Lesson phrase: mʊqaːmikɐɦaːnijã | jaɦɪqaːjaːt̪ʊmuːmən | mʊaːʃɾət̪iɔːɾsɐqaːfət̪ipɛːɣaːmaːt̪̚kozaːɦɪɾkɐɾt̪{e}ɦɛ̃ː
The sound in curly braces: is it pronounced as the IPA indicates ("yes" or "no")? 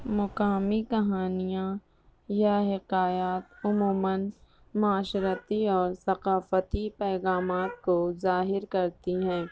no